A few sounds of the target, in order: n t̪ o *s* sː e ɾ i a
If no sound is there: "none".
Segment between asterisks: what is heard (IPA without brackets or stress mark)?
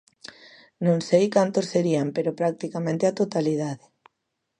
s